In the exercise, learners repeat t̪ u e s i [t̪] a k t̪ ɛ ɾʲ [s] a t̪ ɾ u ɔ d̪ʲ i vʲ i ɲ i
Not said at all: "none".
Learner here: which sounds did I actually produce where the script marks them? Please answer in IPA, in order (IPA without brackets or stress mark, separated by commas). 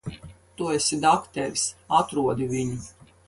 d̪, s